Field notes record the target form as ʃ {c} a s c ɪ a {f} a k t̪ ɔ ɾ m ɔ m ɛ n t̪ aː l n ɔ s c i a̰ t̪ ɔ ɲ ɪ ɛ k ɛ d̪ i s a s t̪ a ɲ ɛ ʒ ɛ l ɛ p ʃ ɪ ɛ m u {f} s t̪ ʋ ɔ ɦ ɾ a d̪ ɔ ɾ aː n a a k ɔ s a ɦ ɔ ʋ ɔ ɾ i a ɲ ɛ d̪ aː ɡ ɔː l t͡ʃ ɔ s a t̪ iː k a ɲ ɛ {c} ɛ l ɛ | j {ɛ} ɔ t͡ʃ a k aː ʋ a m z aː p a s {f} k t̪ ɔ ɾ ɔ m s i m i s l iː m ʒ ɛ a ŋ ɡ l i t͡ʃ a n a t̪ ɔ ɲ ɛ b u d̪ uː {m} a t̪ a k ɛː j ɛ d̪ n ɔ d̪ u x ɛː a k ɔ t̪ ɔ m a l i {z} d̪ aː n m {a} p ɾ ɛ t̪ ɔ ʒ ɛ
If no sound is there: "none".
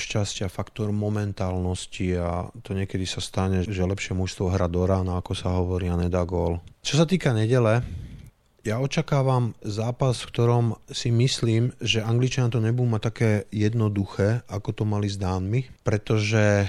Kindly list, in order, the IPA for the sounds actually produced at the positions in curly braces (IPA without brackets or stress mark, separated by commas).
c, f, ʃ, ɟ, a, f, m, z, i